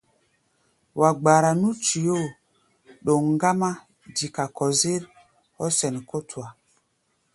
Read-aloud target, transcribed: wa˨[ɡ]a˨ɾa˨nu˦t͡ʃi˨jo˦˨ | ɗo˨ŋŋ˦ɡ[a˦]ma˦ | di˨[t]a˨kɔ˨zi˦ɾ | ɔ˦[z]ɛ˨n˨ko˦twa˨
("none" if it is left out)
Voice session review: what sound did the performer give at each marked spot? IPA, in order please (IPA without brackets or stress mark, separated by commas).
ɡ͡b, a˦, k, s